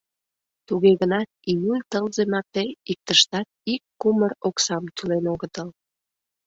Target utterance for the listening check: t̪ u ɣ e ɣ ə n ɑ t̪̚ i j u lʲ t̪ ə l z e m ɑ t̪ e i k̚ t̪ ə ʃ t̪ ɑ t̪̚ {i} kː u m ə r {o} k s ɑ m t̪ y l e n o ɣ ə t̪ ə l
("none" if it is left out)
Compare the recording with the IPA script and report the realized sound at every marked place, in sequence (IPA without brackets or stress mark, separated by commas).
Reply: i, o